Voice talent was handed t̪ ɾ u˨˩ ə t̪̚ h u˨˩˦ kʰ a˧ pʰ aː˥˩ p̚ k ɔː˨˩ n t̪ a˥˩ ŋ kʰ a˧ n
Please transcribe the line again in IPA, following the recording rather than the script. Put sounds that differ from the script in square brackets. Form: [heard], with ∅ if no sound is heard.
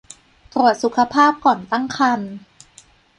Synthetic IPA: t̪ ɾ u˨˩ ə t̪̚ [s] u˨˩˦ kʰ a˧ pʰ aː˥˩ p̚ k ɔː˨˩ n t̪ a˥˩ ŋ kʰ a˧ n